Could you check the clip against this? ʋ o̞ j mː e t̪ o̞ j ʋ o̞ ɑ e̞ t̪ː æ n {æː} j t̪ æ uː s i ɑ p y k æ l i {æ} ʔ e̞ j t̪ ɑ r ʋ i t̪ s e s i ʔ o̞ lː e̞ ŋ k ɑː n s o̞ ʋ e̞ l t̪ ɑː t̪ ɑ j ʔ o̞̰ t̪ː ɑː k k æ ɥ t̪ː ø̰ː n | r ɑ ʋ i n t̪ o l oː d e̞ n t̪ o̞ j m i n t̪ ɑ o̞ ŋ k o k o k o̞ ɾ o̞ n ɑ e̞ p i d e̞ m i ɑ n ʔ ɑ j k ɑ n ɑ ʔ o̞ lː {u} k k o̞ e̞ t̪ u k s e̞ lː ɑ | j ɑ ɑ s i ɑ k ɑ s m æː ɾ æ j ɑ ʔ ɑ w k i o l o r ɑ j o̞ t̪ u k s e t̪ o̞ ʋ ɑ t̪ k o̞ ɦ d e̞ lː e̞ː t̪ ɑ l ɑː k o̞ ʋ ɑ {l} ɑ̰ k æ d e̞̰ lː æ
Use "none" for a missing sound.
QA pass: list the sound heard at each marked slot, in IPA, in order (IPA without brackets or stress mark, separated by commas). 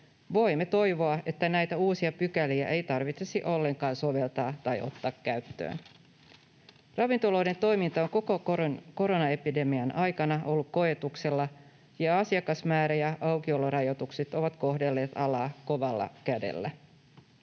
æ, æ, u, lː